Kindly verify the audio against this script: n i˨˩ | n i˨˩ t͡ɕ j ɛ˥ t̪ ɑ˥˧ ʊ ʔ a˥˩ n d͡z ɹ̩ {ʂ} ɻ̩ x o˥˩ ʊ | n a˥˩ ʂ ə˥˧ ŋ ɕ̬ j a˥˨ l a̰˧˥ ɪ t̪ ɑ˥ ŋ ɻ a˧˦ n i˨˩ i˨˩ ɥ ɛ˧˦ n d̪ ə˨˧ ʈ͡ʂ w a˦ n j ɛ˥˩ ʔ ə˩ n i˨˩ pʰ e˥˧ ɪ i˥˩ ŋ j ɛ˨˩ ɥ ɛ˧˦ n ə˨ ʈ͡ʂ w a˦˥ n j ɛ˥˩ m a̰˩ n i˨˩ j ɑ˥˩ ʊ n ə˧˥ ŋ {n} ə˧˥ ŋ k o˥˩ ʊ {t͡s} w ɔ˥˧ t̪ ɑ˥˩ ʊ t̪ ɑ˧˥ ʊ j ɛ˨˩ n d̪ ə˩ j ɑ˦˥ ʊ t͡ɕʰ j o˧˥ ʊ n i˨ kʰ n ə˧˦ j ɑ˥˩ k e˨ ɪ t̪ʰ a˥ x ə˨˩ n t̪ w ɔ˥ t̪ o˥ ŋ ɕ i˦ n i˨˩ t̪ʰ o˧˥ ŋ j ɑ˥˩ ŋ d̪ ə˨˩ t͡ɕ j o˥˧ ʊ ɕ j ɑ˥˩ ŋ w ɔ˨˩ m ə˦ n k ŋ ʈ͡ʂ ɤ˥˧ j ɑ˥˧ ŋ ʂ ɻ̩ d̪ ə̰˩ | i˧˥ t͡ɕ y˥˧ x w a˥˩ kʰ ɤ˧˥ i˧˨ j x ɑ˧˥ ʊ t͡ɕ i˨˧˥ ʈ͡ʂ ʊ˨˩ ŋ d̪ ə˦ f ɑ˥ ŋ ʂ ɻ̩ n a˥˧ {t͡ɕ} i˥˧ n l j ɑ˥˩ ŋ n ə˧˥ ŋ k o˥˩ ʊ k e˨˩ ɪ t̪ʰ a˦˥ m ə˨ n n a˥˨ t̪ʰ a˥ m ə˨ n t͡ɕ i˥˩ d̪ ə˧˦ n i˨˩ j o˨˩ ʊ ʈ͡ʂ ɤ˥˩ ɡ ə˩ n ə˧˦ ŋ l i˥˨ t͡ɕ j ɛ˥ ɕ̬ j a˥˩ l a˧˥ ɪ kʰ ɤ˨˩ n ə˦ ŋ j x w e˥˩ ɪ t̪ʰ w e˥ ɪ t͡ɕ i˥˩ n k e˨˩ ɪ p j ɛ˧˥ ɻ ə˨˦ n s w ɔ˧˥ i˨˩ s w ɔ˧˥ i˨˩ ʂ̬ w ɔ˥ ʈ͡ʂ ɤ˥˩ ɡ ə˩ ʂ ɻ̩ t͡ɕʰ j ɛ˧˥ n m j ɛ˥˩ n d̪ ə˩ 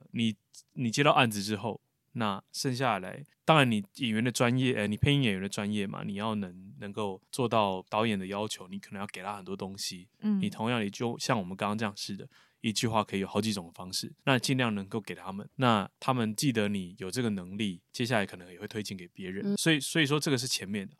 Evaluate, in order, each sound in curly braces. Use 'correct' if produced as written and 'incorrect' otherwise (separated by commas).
incorrect, correct, correct, correct